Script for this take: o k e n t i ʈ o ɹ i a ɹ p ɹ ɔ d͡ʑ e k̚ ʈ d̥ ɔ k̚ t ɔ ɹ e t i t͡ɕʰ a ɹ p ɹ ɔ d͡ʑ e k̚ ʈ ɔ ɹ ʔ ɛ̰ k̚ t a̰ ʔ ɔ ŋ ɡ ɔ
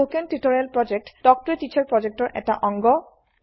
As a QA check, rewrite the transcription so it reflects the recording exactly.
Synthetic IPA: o k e n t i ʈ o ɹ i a l p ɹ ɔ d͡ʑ e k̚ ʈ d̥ ɔ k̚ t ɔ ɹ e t i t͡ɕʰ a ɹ p ɹ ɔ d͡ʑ e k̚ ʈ ɔ ɹ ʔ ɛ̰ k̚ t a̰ ʔ ɔ ŋ ɡ ɔ